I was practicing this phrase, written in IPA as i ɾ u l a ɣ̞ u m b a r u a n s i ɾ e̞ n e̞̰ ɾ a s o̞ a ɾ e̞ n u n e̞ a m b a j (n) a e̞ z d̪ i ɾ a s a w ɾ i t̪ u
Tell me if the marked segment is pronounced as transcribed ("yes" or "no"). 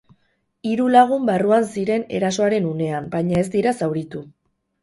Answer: no